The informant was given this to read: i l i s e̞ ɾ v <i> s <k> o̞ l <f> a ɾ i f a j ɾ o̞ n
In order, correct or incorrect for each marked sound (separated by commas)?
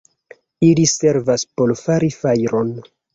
incorrect, incorrect, correct